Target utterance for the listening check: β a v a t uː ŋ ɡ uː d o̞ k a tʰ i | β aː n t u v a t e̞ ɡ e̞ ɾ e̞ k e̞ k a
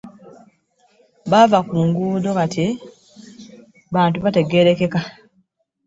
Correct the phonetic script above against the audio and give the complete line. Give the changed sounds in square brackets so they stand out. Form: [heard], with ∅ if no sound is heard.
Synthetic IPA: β a v a [k] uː ŋ ɡ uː d o̞ k a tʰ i | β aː n t u [β] a t e̞ ɡ e̞ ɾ e̞ k e̞ k a